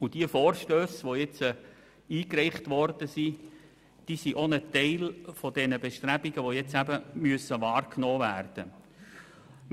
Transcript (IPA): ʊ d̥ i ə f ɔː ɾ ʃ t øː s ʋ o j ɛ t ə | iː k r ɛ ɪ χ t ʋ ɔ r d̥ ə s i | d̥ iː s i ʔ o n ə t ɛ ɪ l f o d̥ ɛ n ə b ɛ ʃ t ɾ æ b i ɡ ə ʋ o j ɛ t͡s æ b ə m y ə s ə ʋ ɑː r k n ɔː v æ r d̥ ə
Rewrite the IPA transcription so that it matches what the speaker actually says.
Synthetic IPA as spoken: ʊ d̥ i ə f ɔː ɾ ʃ t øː s ʋ o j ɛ t͡s ə | iː k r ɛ ɪ χ t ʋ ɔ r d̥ ə s i | d̥ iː s i ʔ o n ə t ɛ ɪ l f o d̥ ɛ n ə b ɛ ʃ t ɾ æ b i ɡ ə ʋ o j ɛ t͡s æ b ə m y ə s ə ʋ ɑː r k n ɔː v æ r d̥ ə

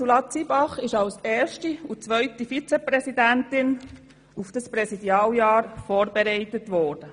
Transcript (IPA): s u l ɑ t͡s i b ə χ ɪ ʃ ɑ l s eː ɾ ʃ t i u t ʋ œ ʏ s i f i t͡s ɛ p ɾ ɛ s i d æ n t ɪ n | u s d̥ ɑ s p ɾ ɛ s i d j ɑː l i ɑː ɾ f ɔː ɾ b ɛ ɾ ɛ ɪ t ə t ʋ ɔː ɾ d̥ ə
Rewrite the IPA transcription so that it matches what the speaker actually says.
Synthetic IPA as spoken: s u l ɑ t͡s i b ɑ χ ɪ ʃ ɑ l s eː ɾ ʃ t i u t͡s ʋ œ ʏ t i f i t͡s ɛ p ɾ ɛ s i d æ n t ɪ n | u f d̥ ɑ s p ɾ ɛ s i d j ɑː l j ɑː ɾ f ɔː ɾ b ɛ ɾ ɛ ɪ t ə t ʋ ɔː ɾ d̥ ə

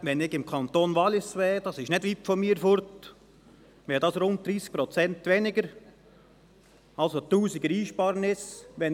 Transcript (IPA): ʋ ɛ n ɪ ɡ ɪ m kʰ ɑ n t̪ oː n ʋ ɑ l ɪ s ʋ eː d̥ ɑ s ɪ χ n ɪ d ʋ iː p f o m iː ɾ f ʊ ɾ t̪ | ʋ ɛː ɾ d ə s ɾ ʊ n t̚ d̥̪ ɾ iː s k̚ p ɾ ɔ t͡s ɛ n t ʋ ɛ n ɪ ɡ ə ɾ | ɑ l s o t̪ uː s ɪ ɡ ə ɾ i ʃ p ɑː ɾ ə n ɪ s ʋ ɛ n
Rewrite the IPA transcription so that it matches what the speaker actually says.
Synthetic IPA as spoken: ʋ ɛ n ɪ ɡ ɪ m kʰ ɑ n t̪ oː n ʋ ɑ l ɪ s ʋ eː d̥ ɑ s ɪ ʃ n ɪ d ʋ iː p f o m iː ɾ f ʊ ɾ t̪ | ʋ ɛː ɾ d ɑ s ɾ ʊ n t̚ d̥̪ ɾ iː s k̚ p ɾ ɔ t͡s ɛ n t ʋ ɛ n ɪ ɡ ə ɾ | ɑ l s o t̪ uː s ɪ ɡ ə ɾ iː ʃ p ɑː ɾ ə n ɪ s ʋ ɛ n

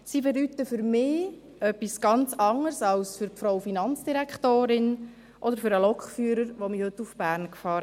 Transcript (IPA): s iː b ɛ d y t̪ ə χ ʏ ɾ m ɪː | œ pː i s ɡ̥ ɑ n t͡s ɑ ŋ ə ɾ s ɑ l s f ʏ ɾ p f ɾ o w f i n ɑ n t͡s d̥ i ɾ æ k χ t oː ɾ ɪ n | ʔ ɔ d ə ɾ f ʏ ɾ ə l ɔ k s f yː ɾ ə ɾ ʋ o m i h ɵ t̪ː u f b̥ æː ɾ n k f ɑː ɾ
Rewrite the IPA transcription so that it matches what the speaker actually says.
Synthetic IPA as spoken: s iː b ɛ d y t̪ ə f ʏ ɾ m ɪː | œ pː i s ɡ̥ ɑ n t͡s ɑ ŋ ə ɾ s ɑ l s f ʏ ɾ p f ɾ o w f i n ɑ n t͡s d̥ i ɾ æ k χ t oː ɾ ɪ n | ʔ ɔ d ə ɾ f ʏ ɾ ə l ɔ k χ f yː ɾ ə ɾ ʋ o m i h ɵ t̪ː u f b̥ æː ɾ n k f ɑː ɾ

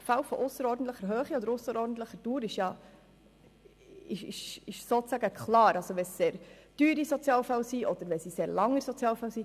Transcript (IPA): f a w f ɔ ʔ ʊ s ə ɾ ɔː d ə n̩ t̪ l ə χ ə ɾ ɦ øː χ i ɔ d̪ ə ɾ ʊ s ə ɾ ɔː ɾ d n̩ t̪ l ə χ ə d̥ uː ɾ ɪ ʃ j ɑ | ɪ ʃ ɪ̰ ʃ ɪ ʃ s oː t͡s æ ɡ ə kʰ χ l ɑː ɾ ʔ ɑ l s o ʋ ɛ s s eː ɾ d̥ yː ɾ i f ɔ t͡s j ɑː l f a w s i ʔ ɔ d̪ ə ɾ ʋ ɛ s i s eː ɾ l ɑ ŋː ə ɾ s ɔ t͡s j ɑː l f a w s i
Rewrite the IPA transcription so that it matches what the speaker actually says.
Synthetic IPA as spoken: f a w f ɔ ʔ ʊ s ə ɾ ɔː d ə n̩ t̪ l ə χ ə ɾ ɦ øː χ i ɔ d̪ ə ɾ ʊ s ə ɾ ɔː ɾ d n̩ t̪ l ə χ ə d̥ uː ɾ ɪ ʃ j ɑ | ɪ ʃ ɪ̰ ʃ ɪ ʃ s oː t͡s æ ɡ ə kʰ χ l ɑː ɾ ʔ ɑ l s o ʋ ɛ s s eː ɾ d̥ yː ɾ i s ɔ t͡s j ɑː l f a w s i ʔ ɔ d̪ ə ɾ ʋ ɛ s i s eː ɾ l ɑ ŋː ə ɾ s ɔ t͡s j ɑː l f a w s i

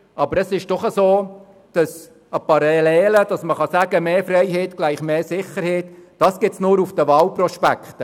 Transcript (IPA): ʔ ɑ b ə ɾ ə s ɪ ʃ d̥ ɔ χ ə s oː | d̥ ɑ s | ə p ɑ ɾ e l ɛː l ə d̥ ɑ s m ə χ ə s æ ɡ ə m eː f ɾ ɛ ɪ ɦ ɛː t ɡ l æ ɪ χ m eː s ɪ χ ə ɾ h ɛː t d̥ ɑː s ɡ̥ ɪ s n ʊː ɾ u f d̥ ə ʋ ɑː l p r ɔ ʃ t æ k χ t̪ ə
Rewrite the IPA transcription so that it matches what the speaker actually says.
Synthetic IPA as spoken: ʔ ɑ b ə ɾ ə s ɪ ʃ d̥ ɔ χ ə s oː | d̥ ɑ s | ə p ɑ ɾ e l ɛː l ə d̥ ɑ s m ə χ ɑ s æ ɡ ə m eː f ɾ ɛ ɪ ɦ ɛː t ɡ l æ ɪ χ m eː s ɪ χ ə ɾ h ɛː t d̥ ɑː s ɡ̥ ɪ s n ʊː ɾ u f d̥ ə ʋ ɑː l p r ɔ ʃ p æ k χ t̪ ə

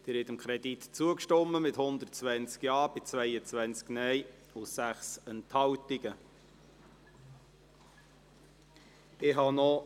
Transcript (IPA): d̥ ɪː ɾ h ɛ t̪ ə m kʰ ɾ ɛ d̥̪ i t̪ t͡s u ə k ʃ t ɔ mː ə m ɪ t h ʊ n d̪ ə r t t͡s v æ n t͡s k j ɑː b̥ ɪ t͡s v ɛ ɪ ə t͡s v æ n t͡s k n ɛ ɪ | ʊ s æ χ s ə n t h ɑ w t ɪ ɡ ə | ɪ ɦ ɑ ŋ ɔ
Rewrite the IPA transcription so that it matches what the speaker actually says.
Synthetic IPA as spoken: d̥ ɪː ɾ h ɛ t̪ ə m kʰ ɾ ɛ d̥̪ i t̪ t͡s u ə k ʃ t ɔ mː ə m ɪ t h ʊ n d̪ ə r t t͡s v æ n t͡s k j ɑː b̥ ɪ t͡s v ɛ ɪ ə t͡s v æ n t͡s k n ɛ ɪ | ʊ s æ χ s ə n t h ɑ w t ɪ ɡ ə | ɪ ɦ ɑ n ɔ

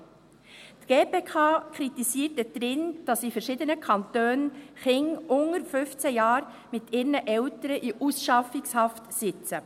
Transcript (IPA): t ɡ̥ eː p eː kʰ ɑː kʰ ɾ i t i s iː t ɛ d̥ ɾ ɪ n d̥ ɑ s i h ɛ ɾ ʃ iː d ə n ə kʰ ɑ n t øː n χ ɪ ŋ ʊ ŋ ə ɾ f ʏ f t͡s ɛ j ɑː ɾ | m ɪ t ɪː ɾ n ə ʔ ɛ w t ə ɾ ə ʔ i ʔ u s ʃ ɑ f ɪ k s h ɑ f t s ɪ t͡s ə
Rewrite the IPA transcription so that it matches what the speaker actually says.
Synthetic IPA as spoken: t ɡ̥ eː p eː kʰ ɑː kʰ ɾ i t i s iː t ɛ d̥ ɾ ɪ n d̥ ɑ s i f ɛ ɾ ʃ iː d ə n ə kʰ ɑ n t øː n χ ɪ ŋ ʊ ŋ ə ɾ f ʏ f t͡s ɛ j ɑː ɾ | m ɪ t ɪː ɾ n ə ʔ ɛ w t ə ɾ ə ʔ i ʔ u s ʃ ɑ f ɪ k s h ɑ f t s ɪ t͡s ə

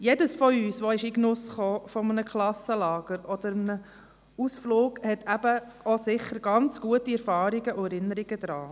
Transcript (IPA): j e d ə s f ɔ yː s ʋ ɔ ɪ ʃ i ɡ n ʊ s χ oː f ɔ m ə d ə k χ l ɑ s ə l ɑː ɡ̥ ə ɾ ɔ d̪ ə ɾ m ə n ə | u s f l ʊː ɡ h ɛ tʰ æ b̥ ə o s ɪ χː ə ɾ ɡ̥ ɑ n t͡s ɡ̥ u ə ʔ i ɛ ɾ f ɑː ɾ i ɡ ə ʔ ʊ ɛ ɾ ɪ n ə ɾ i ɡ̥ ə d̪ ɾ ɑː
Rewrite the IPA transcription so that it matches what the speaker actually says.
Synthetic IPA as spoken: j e d ə s f ɔ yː s ʋ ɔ ɪ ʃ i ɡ n ʊ s χ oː f ɔ m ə n ə k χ l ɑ s ə l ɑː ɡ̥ ə ɾ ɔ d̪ ə ɾ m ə n ə | u s f l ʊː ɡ h ɛ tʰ æ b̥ ə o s ɪ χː ə ɾ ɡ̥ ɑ n t͡s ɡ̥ u ə t i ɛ ɾ f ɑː ɾ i ɡ ə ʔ ʊ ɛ ɾ ɪ n ə ɾ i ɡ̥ ə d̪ ɾ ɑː

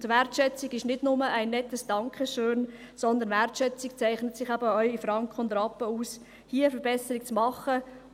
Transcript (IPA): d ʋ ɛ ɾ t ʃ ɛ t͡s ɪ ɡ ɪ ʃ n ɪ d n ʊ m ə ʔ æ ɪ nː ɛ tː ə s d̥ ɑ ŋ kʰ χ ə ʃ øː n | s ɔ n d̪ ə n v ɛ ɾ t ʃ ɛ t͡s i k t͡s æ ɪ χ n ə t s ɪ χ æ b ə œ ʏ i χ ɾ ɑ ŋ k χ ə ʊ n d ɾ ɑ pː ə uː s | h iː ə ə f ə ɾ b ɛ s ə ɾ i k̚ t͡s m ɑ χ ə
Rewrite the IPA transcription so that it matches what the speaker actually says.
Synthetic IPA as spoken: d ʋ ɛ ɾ t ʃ ɛ t͡s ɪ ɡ ɪ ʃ n ɪ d n ʊ m ə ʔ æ ɪ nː ɛ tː ə s d̥ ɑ ŋ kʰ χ ə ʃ øː n | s ɔ n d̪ ə n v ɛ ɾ t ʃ ɛ t͡s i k t͡s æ ɪ χ n ə t s ɪ χ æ b ə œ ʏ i f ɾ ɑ ŋ k χ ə ʊ n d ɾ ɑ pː ə uː s | h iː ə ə f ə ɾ b ɛ s ə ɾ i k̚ t͡s m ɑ χ ə

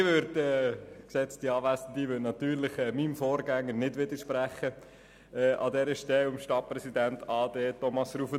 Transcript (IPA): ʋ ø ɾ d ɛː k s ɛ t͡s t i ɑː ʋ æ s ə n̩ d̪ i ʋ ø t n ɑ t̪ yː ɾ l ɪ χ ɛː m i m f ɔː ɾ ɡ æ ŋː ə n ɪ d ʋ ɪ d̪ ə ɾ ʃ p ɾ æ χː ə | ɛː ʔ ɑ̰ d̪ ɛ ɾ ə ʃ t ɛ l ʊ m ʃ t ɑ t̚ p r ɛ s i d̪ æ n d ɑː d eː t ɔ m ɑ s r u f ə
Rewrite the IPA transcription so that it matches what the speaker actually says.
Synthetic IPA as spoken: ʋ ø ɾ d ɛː k s ɛ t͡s t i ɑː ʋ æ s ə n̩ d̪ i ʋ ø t n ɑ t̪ yː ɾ l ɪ χ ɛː m i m f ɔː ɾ ɡ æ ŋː ə n ɪ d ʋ ɪ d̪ ə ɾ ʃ p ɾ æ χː ə | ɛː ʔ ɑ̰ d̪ ɛ ɾ ə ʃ t ɛ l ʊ m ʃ t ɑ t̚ p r ɛ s i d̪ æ n t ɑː d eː t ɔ m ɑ s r u f ə

